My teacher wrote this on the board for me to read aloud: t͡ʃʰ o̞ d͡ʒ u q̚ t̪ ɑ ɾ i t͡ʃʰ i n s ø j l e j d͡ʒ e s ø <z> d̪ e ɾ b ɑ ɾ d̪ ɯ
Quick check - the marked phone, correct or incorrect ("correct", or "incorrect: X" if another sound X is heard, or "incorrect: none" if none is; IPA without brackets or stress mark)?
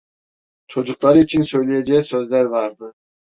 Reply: correct